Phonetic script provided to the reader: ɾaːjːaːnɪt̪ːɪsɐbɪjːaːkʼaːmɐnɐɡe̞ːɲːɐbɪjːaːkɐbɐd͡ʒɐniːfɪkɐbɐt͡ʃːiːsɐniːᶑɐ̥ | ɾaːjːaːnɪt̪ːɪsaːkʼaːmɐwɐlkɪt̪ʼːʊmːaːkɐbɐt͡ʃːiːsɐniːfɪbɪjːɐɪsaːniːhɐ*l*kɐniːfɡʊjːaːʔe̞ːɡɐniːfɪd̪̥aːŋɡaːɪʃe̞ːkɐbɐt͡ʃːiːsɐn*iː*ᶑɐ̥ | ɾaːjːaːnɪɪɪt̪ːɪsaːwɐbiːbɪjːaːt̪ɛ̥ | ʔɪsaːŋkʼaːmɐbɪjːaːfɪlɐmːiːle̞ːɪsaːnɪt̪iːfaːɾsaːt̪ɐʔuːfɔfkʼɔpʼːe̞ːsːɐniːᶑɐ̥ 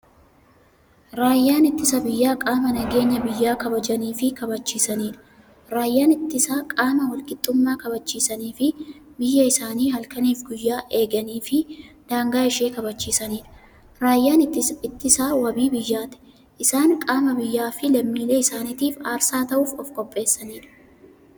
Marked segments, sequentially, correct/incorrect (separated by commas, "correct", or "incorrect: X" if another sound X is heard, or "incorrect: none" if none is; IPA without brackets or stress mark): correct, correct